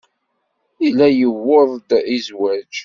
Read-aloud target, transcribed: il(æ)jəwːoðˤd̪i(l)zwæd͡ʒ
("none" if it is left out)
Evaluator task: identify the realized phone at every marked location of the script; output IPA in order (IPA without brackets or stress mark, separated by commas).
æ, none